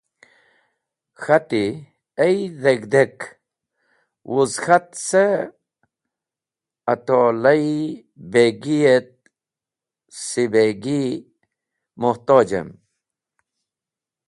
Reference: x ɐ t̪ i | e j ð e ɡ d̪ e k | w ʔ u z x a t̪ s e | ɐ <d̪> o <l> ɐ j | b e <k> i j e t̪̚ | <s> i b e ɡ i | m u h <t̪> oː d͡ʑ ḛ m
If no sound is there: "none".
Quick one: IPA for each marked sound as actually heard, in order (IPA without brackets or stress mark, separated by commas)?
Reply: t̪, l, ɡ, s, t̪